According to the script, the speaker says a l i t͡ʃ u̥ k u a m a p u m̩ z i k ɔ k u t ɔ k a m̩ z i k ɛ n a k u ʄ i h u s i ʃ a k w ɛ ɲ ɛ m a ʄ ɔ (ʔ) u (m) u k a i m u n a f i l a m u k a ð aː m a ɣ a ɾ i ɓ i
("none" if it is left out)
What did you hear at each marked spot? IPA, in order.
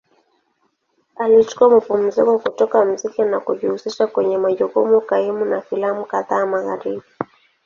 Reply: k, m

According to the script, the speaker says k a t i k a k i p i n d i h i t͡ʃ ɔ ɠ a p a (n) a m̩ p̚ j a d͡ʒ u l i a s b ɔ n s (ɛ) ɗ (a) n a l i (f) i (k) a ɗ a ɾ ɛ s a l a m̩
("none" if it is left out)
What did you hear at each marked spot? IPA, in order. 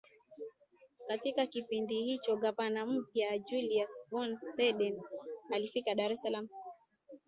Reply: n, ɛ, ɛ, f, k

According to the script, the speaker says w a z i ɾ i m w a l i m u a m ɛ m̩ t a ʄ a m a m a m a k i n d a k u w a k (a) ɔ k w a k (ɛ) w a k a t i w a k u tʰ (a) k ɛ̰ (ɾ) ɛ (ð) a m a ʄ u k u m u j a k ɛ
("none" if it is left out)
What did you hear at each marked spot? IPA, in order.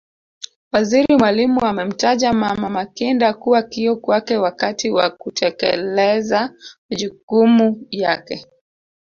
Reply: i, ɛ, ɛ, l, z

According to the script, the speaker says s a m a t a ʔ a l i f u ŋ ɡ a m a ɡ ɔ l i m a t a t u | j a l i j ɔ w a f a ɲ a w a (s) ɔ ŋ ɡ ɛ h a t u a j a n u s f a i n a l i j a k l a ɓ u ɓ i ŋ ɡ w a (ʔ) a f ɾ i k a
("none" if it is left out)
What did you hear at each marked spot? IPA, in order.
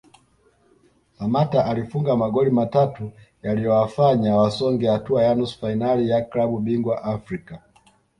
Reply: s, ʔ

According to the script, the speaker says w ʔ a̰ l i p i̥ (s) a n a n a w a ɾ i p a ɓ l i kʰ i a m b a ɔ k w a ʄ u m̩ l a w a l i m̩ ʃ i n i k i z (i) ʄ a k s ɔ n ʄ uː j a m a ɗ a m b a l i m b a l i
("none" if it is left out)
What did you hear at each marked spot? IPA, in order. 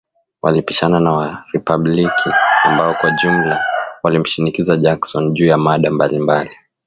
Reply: ʃ, a

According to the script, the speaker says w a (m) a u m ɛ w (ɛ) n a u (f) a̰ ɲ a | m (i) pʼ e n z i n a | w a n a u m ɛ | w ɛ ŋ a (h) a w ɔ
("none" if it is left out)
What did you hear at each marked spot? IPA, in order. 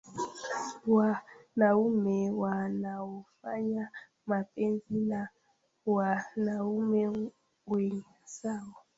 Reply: n, a, f, a, s

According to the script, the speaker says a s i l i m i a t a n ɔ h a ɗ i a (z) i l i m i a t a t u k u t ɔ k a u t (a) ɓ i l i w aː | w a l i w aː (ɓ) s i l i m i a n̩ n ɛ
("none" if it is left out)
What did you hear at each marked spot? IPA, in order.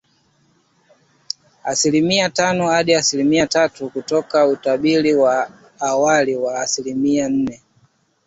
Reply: s, a, none

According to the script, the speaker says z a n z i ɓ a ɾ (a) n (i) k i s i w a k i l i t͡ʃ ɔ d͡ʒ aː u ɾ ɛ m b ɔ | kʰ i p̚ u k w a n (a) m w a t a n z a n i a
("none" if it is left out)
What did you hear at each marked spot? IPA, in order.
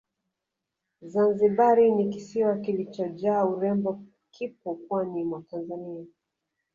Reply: i, i, i

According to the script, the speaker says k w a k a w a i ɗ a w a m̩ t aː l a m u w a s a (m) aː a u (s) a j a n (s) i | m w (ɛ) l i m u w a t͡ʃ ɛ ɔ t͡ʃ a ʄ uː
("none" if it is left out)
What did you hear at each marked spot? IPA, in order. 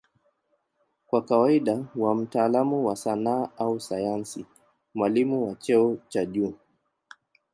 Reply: n, s, s, a

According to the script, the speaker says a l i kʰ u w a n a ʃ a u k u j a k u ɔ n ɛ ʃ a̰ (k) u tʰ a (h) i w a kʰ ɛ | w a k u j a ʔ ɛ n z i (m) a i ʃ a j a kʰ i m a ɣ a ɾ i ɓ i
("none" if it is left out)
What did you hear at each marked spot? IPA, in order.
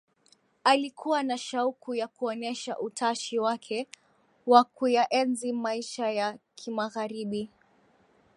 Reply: ʔ, ʃ, m

